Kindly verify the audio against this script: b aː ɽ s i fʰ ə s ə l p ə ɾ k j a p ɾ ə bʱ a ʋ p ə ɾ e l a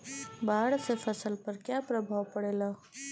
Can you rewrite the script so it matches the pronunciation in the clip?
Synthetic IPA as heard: b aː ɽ s e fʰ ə s ə l p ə ɾ k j a p ɾ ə bʱ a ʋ p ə ɽ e l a